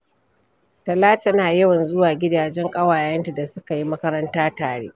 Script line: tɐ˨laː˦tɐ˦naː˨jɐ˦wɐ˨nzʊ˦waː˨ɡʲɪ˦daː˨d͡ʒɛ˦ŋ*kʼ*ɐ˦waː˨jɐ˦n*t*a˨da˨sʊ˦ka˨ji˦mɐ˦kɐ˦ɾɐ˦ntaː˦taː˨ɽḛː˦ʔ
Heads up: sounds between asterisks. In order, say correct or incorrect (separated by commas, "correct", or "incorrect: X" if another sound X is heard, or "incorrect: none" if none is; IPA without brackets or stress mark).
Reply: correct, correct